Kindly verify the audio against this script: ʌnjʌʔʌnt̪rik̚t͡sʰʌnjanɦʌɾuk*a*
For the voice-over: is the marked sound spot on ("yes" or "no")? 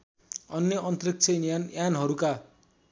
yes